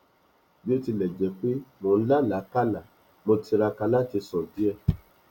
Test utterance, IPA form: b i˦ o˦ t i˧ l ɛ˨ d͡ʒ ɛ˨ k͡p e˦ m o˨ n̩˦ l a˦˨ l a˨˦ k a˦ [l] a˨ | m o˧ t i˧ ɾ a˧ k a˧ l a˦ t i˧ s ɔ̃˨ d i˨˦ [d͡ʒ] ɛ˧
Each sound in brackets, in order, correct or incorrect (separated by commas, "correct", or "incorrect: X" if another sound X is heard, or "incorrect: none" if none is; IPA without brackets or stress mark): correct, incorrect: none